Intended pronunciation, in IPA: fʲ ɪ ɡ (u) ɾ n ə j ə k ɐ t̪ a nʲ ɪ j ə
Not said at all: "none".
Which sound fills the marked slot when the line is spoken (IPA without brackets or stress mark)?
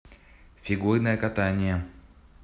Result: u